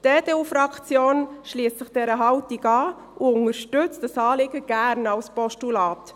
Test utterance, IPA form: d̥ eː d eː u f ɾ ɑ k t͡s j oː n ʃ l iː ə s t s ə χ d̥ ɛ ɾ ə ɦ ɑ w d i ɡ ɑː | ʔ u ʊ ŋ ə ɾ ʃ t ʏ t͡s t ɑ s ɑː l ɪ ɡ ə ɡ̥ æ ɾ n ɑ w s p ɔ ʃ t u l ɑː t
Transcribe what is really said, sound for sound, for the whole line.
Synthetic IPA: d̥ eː d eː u f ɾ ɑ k t͡s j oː n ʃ l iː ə s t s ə χ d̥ ɛ ɾ ə ɦ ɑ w t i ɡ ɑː | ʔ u ʊ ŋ ə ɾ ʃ t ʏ t͡s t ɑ s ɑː l ɪ ɡ ə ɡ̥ æ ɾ n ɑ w s p ɔ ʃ t u l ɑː t